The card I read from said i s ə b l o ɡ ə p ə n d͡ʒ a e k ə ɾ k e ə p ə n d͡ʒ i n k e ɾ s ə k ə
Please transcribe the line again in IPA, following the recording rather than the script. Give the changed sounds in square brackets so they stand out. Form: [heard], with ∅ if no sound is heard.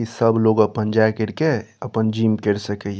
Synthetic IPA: i s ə b l o ɡ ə p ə n d͡ʒ a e k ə ɾ k e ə p ə n d͡ʒ i [m] k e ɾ s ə k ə